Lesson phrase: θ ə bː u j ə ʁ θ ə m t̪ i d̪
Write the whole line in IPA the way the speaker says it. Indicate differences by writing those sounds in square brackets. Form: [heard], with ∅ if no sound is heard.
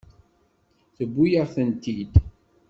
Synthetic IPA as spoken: θ ə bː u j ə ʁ θ ə [n] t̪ i d̪